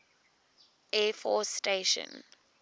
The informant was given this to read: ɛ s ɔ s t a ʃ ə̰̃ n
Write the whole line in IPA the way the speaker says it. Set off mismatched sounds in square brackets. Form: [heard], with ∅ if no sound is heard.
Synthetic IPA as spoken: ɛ [f] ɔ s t [e] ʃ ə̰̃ n